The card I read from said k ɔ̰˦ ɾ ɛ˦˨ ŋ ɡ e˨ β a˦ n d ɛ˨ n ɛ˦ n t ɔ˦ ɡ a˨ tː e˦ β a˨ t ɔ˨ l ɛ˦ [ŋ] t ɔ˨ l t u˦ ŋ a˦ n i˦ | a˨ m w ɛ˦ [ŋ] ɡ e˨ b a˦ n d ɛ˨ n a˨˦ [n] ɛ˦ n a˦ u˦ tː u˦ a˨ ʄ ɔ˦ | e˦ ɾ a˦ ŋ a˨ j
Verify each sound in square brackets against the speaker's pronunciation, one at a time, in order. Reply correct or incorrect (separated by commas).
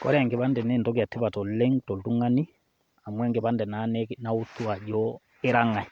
correct, correct, correct